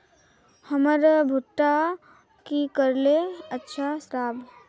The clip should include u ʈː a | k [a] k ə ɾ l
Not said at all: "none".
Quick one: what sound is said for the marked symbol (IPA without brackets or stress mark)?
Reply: i